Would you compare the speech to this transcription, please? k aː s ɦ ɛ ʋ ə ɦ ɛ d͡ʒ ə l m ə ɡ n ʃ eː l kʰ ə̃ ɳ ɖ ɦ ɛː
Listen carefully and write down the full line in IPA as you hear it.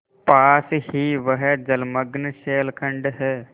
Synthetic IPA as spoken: p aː s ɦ i ʋ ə ɦ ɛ d͡ʒ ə l m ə ɡ n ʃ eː l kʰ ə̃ ɳ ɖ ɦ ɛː